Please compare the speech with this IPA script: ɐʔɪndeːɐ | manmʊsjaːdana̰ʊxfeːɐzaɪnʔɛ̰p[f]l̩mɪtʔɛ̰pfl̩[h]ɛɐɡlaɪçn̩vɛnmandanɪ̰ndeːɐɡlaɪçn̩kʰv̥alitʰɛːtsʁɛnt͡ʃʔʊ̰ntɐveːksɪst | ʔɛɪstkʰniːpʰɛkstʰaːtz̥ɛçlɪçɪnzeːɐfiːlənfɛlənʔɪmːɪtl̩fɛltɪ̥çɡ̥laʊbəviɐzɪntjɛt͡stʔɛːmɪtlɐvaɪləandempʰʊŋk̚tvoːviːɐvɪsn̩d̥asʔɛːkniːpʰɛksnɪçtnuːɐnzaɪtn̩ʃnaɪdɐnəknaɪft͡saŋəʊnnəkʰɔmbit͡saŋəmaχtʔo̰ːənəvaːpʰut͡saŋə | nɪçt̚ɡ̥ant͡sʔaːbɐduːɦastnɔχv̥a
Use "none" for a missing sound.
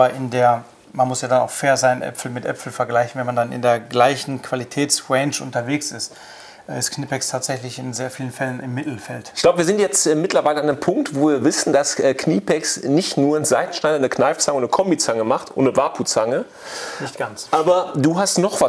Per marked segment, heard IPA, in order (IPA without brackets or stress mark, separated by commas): f, f